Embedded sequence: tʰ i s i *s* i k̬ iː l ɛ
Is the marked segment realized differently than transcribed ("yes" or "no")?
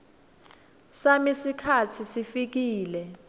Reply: yes